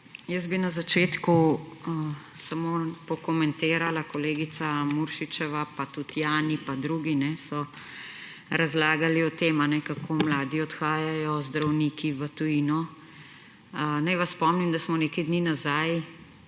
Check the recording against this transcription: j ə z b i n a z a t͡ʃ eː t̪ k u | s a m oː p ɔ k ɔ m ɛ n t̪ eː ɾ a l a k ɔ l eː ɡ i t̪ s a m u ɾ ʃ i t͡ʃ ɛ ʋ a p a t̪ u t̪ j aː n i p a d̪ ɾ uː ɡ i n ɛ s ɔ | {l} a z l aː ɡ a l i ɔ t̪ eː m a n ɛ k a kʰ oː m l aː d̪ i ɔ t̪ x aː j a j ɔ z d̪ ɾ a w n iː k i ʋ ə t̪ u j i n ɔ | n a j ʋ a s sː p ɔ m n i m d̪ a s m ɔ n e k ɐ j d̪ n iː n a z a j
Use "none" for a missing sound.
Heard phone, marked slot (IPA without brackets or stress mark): ɾ